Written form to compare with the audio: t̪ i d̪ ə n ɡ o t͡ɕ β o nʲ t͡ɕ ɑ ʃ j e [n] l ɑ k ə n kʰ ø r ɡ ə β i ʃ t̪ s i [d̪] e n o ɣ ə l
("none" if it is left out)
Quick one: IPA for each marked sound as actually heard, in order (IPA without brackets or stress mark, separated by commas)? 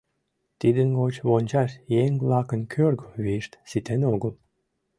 ŋ, t̪